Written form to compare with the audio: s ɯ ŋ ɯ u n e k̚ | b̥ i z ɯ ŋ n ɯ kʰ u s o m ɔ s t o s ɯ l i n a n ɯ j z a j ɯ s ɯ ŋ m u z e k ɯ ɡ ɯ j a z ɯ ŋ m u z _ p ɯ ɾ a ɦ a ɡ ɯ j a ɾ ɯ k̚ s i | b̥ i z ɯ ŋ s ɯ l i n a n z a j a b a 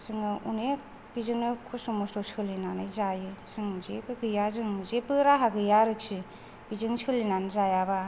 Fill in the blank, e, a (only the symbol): e